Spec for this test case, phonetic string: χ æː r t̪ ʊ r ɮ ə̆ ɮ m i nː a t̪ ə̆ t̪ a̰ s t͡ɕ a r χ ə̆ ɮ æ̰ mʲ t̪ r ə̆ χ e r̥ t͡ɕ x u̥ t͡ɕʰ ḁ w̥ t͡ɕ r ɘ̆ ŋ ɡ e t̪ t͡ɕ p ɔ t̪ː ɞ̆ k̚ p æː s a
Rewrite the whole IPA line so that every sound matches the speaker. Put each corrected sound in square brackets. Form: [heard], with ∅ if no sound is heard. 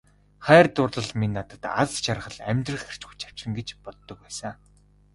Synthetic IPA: χ æː r t̪ ʊ r ɮ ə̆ ɮ m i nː a t̪ ə̆ t̪ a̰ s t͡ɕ a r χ ə̆ ɮ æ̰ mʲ t̪ r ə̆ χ e r̥ t͡ɕ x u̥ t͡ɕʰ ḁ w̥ t͡ɕ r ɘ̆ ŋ ɡ e [∅] t͡ɕ p ɔ t̪ː ɞ̆ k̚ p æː s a